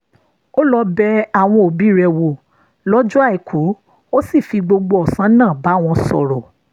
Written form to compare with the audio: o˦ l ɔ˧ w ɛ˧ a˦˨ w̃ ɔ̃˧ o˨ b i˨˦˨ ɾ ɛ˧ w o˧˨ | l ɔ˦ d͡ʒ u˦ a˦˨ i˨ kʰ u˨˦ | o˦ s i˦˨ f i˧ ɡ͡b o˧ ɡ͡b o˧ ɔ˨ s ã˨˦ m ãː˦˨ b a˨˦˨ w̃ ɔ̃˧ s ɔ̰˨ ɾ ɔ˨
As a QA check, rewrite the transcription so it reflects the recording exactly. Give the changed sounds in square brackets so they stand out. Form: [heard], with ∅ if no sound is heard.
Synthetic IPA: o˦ l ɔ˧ [b] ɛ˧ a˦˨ w̃ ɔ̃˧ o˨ b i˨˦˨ ɾ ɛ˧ w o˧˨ | l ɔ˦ d͡ʒ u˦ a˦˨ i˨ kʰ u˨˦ | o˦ s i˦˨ f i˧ ɡ͡b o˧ ɡ͡b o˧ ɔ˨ s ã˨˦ [n] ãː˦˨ b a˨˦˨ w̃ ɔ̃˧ s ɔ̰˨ ɾ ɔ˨